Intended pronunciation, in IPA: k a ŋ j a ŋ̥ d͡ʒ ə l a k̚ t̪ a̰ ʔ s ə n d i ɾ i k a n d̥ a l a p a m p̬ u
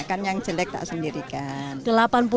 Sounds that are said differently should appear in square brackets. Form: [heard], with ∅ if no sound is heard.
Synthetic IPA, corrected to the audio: k a [n] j a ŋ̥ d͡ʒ ə l [ɛ] k̚ t̪ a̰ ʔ s ə n d i ɾ i k a n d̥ [ə] l a p a [n] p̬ u